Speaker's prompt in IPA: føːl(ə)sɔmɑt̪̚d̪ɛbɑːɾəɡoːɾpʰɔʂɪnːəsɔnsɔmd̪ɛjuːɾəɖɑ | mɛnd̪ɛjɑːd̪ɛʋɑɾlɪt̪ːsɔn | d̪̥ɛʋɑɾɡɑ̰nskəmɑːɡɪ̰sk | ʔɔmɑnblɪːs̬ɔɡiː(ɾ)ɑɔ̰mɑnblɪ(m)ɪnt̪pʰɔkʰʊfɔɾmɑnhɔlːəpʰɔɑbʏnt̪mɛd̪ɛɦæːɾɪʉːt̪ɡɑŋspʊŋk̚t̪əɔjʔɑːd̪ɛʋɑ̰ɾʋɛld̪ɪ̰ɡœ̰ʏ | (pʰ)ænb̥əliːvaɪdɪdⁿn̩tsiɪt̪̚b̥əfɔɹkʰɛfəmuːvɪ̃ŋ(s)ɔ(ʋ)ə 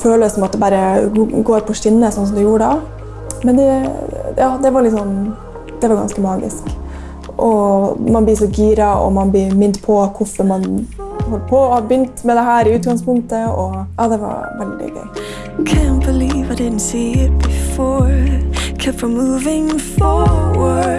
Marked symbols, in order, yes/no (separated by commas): yes, yes, yes, no, no, no